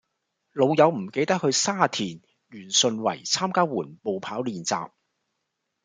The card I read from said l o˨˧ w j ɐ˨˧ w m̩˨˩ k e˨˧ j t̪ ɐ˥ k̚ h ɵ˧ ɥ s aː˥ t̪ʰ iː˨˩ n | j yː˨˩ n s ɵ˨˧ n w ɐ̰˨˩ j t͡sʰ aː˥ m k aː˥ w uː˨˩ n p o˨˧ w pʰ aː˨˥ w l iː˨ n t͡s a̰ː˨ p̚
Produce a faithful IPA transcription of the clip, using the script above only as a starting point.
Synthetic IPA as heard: l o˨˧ w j ɐ˨˧ w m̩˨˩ k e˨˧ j t̪ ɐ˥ k̚ h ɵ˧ ɥ s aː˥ t̪ʰ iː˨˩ n | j yː˨˩ n s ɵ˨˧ n w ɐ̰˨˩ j t͡sʰ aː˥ m k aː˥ w uː˨˩ n p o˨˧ w pʰ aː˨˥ w l iː˨ n t͡s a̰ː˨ p̚